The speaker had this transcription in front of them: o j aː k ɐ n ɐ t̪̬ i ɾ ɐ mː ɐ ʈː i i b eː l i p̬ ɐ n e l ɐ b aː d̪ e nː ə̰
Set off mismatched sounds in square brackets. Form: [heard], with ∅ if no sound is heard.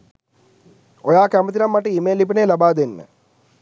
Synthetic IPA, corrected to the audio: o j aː k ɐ [m] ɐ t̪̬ i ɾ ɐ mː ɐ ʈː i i [m] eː l i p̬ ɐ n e l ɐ b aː d̪ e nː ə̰